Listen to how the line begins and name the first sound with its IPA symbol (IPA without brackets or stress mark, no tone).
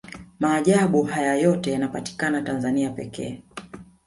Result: m